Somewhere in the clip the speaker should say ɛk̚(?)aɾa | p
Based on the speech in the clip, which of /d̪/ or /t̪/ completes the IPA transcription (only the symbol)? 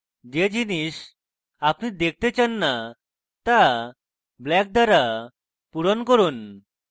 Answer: d̪